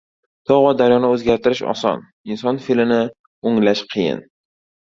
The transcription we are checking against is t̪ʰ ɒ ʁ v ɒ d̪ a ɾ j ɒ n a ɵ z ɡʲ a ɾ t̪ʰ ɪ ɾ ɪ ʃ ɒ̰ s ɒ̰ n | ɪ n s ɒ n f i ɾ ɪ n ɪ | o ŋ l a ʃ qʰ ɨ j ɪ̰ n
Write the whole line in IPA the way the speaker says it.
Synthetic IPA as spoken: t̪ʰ ɒ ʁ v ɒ d̪ a ɾ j ɒ n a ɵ z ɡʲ a ɾ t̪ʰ ɪ ɾ ɪ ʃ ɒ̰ s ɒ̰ n | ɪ n s ɒ n f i l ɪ n ɪ | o ŋ l a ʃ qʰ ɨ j ɪ̰ n